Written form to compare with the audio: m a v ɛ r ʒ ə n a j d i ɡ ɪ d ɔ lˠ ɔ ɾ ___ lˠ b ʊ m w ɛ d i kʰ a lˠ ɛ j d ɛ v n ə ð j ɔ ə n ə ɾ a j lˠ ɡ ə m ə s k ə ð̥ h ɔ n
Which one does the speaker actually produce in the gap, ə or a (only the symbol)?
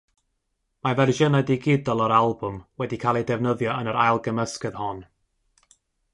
a